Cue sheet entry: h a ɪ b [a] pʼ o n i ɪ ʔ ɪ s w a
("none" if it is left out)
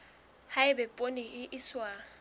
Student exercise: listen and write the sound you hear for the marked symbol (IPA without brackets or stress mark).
ɛ